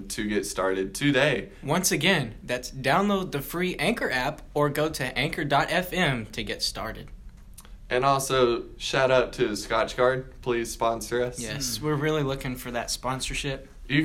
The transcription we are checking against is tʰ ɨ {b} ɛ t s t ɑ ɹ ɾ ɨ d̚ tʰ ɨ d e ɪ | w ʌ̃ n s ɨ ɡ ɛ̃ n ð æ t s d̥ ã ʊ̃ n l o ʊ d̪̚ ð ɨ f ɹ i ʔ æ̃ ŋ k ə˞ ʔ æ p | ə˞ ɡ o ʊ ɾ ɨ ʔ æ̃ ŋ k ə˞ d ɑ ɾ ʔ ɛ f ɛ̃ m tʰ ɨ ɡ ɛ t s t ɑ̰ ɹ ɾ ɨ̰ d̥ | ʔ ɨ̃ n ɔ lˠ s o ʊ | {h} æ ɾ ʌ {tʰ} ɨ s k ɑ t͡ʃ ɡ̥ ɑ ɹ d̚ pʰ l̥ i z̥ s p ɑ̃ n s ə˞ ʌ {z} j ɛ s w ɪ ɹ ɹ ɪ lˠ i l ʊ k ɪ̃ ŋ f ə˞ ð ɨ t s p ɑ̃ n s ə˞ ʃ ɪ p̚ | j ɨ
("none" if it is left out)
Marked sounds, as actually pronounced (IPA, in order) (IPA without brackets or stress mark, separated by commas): ɡ, ʃ, tʰ, s